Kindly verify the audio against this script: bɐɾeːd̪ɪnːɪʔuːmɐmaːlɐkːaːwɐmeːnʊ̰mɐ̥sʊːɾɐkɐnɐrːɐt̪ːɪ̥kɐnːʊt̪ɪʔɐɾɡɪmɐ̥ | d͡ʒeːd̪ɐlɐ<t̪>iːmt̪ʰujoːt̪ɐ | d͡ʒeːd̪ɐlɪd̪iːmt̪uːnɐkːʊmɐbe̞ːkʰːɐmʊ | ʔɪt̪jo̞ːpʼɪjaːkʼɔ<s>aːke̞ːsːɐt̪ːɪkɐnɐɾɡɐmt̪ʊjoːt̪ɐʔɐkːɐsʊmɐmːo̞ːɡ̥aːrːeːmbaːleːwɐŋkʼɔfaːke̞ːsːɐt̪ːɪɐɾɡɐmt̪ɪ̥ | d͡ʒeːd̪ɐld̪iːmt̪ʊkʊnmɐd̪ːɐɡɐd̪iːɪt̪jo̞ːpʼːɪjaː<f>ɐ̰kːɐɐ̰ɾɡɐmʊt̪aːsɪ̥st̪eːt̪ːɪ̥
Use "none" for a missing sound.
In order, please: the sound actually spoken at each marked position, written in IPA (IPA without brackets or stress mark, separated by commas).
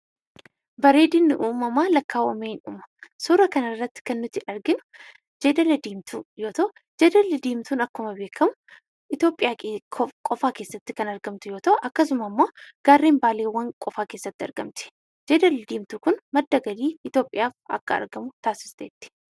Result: d̪, f, f